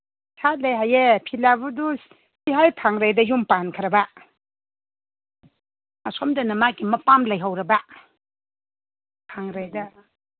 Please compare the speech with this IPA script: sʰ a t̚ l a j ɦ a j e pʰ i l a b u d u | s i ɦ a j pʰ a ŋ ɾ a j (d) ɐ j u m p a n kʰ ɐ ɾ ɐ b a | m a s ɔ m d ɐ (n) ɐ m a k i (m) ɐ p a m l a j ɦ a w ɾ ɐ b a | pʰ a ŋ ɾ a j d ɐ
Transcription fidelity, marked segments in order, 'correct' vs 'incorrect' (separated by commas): correct, correct, correct